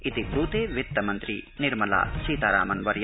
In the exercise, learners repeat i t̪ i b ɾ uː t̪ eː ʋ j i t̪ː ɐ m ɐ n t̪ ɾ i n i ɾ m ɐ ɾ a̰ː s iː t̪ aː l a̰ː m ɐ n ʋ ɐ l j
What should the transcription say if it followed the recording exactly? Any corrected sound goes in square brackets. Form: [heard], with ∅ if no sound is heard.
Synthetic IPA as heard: i t̪ i b ɾ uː t̪ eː ʋ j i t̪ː ɐ m ɐ n t̪ ɾ i n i ɾ m ɐ [l] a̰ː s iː t̪ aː [ɾ] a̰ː m ɐ n ʋ ɐ [ɾ] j